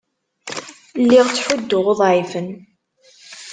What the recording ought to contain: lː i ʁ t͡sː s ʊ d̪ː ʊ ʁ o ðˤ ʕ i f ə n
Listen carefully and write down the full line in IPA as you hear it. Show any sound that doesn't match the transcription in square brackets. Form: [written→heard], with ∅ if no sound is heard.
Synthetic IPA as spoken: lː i ʁ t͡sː [s→ħ] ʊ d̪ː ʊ ʁ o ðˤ ʕ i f ə n